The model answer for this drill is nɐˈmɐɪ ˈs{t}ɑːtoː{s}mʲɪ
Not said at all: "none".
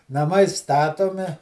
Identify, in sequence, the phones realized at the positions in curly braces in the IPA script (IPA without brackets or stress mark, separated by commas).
t, none